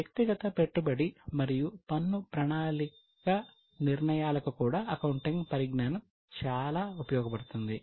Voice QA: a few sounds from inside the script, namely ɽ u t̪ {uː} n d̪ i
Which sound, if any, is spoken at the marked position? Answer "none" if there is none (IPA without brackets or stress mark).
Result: u